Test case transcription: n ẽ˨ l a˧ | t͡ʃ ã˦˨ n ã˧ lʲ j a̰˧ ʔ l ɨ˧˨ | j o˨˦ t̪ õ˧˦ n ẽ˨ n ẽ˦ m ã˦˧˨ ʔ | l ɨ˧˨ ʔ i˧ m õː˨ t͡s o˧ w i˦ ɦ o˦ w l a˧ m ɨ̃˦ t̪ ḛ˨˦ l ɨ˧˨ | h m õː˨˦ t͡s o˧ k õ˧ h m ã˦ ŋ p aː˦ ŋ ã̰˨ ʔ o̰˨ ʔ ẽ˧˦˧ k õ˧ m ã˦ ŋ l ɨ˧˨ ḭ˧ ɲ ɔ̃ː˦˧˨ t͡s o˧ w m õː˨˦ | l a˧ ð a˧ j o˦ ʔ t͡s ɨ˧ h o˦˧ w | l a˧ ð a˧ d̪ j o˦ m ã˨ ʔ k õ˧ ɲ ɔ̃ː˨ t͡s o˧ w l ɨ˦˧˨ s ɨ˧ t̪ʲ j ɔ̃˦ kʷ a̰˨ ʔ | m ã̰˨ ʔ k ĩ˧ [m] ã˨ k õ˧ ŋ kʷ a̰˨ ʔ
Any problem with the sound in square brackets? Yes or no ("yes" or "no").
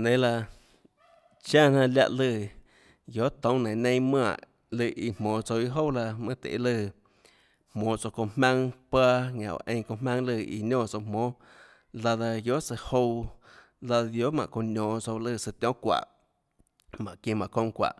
no